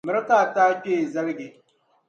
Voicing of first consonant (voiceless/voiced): voiced